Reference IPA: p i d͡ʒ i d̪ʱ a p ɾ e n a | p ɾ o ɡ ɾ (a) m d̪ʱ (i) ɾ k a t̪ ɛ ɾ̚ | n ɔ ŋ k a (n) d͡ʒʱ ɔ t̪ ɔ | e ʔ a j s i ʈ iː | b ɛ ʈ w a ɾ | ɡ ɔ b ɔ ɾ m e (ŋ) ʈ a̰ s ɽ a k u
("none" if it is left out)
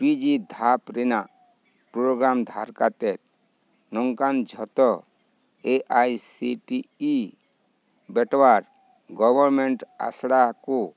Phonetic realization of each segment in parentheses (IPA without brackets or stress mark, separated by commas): a, a, n, ɳ